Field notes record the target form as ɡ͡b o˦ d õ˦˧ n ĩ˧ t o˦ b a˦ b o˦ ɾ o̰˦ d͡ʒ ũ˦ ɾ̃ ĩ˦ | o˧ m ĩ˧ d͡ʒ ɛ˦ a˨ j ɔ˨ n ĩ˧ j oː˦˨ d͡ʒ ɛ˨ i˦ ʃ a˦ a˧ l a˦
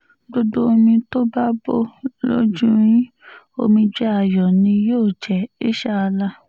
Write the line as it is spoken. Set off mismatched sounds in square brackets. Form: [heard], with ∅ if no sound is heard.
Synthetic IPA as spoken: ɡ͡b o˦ d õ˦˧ [m] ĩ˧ t o˦ b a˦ b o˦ [l] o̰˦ d͡ʒ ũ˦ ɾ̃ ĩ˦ | o˧ m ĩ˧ d͡ʒ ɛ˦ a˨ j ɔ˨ n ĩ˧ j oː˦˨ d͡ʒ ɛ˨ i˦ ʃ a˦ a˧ l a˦

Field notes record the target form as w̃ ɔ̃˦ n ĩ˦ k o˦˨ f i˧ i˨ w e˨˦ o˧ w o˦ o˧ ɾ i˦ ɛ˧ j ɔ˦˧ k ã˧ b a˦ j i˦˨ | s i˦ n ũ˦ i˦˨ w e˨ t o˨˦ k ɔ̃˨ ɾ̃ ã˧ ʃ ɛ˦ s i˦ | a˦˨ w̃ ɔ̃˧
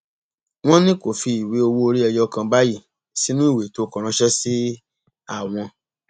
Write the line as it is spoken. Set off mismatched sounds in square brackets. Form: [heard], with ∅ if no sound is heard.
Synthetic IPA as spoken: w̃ ɔ̃˦ n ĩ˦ k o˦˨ f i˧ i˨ w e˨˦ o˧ w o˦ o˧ ɾ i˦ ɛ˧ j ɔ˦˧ k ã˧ b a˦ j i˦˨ | s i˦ n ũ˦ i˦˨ w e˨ t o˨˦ k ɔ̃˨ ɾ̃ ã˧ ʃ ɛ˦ s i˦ | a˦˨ w̃ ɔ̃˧

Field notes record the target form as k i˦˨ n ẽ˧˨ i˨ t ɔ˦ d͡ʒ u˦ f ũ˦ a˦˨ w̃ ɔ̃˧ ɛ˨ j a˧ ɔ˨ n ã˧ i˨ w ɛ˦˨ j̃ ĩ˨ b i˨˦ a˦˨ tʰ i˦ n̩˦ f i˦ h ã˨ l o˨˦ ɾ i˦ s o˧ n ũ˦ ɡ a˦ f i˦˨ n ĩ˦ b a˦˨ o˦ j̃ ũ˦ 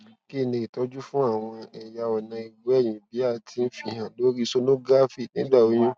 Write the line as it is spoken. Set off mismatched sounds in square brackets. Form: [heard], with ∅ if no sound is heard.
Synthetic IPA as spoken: k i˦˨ n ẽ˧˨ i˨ t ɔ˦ d͡ʒ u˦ f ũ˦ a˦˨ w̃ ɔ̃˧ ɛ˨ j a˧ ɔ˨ n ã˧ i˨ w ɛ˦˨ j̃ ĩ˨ b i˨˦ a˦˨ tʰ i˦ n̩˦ f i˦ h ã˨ l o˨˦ ɾ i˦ s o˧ n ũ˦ ɡ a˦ f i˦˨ n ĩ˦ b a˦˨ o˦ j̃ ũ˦

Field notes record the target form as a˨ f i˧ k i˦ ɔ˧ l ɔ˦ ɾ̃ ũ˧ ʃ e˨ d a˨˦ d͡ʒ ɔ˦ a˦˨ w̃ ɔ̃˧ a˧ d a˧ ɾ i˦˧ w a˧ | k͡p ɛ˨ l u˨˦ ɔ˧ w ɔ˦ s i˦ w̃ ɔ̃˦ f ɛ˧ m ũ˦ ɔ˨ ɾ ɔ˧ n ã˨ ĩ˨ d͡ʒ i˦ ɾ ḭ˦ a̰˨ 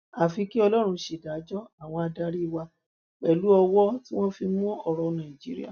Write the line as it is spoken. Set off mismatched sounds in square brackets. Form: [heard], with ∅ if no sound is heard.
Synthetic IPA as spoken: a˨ f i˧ k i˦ ɔ˧ l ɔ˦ ɾ̃ ũ˧ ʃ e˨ d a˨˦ d͡ʒ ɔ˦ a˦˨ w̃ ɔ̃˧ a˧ d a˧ ɾ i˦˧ w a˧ | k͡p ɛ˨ l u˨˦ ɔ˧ w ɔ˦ [t] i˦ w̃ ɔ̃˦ f [i˧] m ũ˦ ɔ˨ ɾ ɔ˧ n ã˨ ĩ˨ d͡ʒ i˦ ɾ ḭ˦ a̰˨

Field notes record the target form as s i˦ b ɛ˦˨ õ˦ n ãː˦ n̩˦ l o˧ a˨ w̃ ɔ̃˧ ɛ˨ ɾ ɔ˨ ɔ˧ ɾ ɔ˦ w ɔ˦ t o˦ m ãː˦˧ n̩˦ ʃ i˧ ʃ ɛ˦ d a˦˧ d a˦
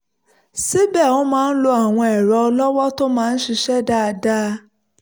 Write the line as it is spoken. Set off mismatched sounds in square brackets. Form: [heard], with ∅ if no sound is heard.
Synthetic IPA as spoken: s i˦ b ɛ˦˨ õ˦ [m] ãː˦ n̩˦ l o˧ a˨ w̃ ɔ̃˧ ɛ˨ ɾ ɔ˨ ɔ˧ [l] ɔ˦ w ɔ˦ t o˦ m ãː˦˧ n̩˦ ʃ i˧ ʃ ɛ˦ d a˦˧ d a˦

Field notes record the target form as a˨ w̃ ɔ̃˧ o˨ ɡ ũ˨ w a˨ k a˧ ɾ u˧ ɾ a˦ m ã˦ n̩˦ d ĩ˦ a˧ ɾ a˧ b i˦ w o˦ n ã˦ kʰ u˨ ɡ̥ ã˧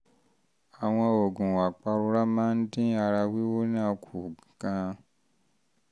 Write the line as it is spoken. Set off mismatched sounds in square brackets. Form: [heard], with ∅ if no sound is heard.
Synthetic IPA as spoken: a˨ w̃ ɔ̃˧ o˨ ɡ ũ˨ w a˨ [k͡p] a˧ ɾ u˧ ɾ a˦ m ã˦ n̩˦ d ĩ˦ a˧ ɾ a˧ [w] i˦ w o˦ n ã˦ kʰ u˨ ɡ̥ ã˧

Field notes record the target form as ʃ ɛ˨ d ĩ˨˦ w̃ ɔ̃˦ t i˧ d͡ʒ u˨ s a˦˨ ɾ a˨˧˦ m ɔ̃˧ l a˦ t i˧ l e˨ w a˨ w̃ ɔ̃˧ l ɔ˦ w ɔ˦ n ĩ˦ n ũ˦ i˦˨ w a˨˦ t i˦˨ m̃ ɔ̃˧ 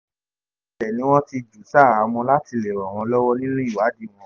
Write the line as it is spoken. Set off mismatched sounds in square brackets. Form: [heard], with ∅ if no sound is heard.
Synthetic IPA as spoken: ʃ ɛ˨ [n] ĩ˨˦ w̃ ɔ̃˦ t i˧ d͡ʒ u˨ s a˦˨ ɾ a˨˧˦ m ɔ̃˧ l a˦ t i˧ l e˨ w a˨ w̃ ɔ̃˧ l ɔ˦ w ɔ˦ n ĩ˦ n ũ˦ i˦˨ w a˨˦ [d] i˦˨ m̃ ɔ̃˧

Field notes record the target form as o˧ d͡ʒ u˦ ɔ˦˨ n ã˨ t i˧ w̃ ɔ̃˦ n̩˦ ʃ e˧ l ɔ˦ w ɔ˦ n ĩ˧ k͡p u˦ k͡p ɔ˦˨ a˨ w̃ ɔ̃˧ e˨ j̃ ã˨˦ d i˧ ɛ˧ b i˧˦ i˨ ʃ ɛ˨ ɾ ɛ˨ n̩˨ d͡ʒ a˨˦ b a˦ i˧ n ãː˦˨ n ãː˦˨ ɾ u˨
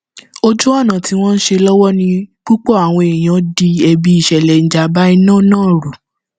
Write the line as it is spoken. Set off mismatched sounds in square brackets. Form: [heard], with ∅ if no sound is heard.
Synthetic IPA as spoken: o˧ d͡ʒ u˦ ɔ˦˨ n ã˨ t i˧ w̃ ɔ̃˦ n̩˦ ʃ e˧ l ɔ˦ w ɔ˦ n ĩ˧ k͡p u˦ k͡p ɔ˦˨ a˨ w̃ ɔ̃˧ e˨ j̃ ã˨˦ d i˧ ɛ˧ b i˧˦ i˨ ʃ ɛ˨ [l] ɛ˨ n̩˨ d͡ʒ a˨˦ b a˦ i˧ n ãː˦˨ n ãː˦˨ ɾ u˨

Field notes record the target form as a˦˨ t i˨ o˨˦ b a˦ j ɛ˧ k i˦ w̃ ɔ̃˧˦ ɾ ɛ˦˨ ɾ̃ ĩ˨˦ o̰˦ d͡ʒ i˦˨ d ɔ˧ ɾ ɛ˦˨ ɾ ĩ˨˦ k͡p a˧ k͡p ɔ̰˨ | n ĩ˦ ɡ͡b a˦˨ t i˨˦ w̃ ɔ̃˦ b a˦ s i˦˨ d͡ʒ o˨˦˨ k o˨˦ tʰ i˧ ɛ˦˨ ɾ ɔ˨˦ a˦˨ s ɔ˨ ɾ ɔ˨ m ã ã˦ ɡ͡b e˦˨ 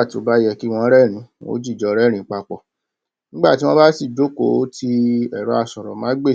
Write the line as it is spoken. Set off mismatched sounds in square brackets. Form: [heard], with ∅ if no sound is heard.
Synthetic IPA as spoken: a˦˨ t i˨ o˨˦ b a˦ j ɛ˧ k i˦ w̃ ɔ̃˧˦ ɾ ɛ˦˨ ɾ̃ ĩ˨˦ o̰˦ d͡ʒ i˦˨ [d͡ʒ] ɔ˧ ɾ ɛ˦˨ ɾ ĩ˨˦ k͡p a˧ k͡p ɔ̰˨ | n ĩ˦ ɡ͡b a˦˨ t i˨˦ w̃ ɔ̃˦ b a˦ s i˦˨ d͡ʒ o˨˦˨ k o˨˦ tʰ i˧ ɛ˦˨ ɾ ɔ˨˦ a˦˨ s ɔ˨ ɾ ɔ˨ m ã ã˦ ɡ͡b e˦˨

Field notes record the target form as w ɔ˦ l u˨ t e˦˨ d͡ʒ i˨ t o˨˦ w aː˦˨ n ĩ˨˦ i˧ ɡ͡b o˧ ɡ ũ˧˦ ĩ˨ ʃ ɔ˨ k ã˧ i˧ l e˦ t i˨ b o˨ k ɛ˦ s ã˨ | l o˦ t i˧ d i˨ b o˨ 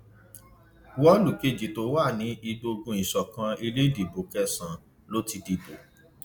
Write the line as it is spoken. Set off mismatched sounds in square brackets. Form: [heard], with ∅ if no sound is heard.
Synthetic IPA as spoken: w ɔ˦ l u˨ [k] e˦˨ d͡ʒ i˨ t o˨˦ w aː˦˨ n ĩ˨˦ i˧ ɡ͡b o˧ ɡ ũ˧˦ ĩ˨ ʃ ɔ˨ k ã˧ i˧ l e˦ [d] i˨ b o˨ k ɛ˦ s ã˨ | l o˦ t i˧ d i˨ b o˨

